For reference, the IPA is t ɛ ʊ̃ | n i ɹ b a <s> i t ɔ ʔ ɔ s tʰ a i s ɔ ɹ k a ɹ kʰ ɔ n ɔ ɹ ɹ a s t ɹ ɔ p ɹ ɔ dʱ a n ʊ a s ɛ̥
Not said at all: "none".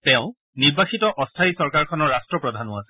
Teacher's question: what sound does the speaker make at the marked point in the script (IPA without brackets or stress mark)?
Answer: x